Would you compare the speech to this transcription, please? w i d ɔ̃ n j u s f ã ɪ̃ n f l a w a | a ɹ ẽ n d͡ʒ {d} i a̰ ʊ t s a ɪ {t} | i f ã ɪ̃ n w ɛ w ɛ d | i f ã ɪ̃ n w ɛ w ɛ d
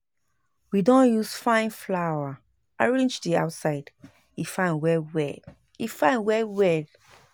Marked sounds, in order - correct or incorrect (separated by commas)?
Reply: correct, incorrect